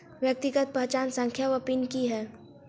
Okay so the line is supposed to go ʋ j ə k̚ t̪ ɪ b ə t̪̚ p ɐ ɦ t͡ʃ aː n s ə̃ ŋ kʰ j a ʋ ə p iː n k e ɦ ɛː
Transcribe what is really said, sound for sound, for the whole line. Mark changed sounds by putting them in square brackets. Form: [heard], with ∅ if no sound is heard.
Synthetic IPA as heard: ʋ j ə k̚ t̪ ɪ [ɡ] ə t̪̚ p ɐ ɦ t͡ʃ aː n s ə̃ ŋ kʰ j a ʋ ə p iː n k [i] ɦ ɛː